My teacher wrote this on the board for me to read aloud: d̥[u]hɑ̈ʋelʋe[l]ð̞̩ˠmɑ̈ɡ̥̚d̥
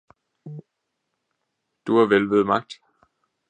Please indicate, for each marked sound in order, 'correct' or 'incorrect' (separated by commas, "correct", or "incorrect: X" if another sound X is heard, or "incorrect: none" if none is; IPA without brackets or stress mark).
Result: correct, incorrect: none